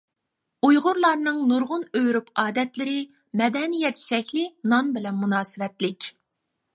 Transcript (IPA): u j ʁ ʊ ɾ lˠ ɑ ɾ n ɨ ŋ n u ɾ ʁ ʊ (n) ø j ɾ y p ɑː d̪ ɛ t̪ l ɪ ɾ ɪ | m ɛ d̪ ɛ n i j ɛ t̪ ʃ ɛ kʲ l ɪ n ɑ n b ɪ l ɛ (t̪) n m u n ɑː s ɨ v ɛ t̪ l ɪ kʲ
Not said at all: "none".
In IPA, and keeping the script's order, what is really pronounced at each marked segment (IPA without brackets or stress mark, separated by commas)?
n, none